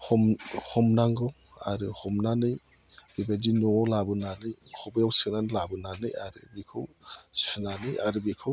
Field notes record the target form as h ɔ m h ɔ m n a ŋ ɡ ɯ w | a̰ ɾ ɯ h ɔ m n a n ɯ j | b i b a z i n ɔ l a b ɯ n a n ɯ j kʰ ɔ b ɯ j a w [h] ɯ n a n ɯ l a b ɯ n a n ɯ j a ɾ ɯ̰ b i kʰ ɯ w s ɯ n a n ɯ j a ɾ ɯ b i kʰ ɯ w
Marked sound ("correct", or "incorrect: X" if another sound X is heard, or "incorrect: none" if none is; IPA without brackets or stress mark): incorrect: s